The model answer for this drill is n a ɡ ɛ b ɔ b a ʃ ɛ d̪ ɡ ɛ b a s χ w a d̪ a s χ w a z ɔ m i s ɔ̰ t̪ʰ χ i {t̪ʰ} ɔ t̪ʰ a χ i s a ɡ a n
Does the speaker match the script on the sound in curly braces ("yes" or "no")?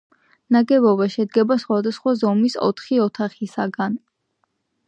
no